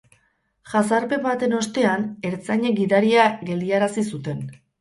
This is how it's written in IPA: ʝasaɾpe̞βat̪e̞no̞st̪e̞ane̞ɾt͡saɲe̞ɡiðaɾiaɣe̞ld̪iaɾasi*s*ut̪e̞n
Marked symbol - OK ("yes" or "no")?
yes